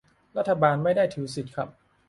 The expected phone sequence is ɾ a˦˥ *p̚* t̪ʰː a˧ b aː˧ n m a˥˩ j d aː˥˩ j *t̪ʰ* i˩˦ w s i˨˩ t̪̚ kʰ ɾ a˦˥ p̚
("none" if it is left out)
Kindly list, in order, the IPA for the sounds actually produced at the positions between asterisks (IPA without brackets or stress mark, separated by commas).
none, t̪ʰ